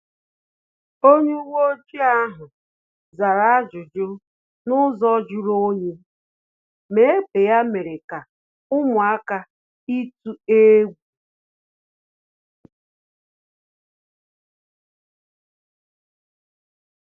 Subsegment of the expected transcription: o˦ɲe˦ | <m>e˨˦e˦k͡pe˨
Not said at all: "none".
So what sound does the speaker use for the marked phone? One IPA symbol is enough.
m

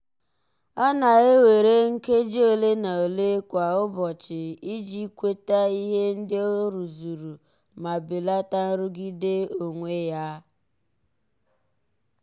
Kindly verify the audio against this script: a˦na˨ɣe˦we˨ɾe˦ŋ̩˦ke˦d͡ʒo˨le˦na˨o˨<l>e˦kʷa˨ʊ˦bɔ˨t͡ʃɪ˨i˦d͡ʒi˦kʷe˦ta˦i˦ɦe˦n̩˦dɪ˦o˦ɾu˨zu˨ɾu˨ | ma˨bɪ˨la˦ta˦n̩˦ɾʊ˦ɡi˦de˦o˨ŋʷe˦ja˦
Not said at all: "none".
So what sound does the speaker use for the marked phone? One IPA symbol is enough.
l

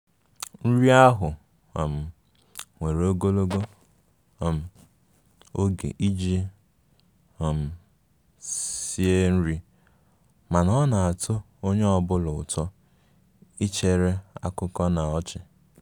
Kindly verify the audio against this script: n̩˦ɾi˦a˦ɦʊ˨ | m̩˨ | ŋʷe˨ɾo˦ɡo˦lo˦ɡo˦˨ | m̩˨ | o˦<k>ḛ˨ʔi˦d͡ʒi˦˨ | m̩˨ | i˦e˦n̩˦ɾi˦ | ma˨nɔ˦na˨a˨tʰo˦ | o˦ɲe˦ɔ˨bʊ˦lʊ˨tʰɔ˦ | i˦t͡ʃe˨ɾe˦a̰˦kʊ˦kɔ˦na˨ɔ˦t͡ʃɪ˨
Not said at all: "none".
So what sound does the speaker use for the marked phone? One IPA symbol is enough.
ɡ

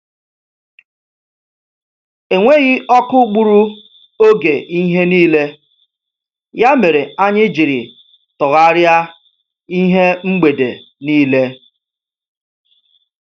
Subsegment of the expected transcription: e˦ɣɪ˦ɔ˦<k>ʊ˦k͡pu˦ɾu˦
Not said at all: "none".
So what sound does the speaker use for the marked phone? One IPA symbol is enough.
k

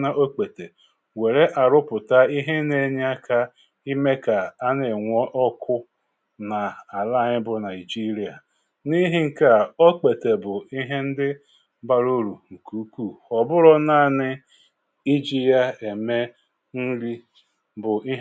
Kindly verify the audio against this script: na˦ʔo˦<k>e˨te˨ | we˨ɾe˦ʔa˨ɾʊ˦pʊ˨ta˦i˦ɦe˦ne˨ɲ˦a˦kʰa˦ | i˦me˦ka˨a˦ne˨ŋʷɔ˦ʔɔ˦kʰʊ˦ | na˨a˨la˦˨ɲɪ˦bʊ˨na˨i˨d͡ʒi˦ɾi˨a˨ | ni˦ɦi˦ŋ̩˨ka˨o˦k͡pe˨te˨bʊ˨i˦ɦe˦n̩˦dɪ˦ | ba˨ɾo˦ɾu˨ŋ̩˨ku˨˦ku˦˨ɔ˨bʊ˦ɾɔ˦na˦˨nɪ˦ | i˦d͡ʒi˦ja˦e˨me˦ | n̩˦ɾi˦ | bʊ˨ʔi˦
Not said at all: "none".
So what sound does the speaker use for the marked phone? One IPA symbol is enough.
k͡p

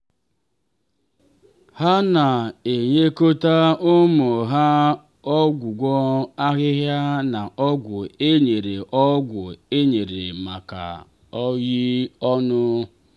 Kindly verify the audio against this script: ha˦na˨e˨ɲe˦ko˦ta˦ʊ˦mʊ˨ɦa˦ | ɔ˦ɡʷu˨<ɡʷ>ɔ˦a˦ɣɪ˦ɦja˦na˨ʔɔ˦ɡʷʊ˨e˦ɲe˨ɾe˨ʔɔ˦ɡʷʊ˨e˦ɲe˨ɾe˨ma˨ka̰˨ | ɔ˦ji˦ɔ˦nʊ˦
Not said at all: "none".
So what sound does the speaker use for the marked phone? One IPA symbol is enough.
ɡʷ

